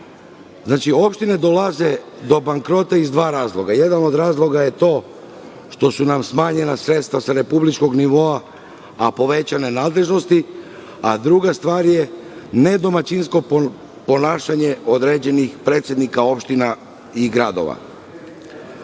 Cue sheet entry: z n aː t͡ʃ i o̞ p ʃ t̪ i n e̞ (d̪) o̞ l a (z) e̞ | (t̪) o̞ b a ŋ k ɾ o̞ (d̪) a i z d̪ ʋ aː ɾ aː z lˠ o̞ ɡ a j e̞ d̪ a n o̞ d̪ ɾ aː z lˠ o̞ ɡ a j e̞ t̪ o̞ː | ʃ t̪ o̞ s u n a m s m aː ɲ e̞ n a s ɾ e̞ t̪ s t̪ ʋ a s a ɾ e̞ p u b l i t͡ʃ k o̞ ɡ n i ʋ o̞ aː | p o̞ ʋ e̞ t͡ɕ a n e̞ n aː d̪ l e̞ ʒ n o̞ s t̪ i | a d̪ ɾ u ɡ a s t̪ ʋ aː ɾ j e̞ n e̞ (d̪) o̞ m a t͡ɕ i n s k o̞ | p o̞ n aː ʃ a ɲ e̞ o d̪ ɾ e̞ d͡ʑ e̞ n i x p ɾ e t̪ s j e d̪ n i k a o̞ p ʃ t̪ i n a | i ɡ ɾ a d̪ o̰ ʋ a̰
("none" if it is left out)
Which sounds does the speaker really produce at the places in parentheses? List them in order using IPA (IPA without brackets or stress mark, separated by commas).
d̪, z, d̪, t̪, d̪